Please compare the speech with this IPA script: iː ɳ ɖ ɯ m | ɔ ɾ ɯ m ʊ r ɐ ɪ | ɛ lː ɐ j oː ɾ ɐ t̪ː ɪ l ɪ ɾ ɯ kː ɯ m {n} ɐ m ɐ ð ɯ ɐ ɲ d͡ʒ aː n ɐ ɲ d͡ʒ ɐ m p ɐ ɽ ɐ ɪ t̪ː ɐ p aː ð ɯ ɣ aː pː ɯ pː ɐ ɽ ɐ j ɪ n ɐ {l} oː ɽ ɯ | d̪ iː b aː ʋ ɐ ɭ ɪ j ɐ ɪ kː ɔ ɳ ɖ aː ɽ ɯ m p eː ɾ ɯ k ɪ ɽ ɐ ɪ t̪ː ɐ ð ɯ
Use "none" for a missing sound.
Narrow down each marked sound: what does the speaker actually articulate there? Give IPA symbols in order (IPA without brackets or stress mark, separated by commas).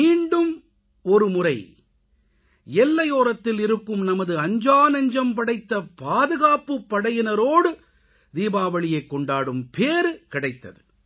n, ɾ